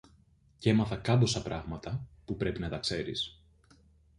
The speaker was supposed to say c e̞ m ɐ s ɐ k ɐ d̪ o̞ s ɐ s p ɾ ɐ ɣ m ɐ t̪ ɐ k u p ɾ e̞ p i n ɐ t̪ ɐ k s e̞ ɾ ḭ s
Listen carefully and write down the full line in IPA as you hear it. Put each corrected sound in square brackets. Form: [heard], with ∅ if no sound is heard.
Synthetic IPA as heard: c e̞ m ɐ [θ] ɐ k ɐ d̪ o̞ s ɐ [∅] p ɾ ɐ ɣ m ɐ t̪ ɐ [p] u p ɾ e̞ p i n ɐ t̪ ɐ k s e̞ ɾ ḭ s